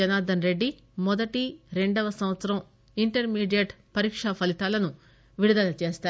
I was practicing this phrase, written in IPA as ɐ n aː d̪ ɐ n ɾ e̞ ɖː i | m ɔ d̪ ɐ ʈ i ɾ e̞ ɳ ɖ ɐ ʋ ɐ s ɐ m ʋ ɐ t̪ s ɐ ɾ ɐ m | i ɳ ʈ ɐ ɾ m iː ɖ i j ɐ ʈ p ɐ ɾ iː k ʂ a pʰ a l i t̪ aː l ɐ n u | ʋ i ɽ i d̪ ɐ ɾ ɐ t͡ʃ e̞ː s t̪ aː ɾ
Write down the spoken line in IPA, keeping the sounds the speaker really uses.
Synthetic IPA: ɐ n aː d̪ ɐ n ɾ e̞ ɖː i | m ɔ d̪ ɐ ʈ i ɾ e̞ ɳ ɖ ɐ ʋ ɐ s ɐ m ʋ ɐ t̪ s ɐ ɾ ɐ m | i ɳ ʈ ɐ ɾ m iː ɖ i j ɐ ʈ p ɐ ɾ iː k ʂ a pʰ ɐ l i t̪ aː l ɐ n u | ʋ i ɽ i d̪ ɐ l ɐ t͡ʃ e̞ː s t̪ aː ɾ